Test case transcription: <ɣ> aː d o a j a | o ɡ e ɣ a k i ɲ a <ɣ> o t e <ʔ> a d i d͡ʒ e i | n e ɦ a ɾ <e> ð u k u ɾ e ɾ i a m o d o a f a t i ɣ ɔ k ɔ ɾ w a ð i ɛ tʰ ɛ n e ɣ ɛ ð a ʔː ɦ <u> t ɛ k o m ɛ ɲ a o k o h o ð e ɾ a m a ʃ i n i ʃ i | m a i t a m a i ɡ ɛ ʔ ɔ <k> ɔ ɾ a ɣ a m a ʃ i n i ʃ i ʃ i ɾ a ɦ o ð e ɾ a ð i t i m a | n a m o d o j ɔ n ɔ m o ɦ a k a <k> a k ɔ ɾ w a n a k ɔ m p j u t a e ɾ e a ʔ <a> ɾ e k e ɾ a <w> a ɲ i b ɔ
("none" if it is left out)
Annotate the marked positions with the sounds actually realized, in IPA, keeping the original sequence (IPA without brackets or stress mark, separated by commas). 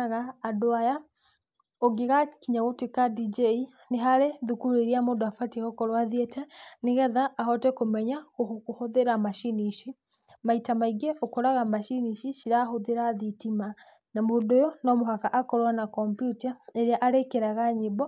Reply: ɣ, ɣ, k, e, ɔ, k, ʔ, a, ɣ